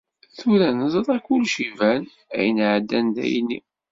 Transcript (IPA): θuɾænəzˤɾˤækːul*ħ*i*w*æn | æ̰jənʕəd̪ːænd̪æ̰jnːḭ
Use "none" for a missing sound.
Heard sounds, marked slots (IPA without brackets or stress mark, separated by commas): ʃ, v